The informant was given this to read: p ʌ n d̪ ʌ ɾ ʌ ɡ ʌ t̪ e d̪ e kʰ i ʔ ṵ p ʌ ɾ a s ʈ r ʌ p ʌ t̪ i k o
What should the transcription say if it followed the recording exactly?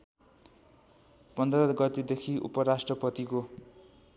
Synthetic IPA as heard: p ʌ n d̪ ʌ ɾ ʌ ɡ ʌ t̪ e d̪ e kʰ i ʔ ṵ p ʌ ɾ a s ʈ r ʌ p ʌ t̪ i k o